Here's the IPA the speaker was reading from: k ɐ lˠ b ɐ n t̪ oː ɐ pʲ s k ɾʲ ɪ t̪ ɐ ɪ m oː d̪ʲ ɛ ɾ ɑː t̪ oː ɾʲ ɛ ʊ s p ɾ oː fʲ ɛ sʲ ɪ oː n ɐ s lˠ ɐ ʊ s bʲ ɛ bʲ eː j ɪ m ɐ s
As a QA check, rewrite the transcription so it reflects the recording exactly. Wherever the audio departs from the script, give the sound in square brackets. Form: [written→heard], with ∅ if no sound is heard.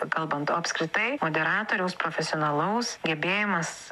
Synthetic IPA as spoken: k ɐ lˠ b ɐ n t̪ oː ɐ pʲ s k ɾʲ ɪ t̪ ɐ ɪ m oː d̪ʲ ɛ ɾ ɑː t̪ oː ɾʲ ɛ ʊ s p ɾ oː fʲ ɛ sʲ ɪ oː n ɐ [s→∅] lˠ ɐ ʊ s [bʲ→ɡʲ] ɛ bʲ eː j ɪ m ɐ s

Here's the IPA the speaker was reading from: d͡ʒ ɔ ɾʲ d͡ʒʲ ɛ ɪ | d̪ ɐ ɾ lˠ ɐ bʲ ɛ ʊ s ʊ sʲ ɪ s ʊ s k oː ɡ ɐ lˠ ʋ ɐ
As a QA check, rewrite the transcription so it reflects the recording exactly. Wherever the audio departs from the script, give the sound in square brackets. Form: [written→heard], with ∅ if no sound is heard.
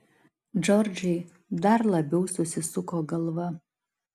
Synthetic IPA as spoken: d͡ʒ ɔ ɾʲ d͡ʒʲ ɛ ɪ | d̪ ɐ ɾ lˠ ɐ bʲ ɛ ʊ s ʊ sʲ ɪ s ʊ [s→∅] k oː ɡ ɐ lˠ ʋ ɐ

